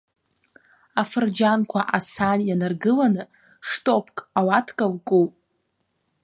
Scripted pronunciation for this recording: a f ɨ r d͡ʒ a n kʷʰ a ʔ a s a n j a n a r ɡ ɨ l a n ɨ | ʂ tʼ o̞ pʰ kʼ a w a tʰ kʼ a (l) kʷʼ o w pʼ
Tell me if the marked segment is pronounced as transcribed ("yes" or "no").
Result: yes